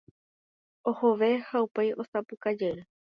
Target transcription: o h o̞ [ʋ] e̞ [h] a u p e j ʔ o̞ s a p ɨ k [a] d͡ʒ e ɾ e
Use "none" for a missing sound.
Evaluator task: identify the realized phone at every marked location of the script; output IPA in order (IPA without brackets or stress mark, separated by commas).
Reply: ʋ, h, a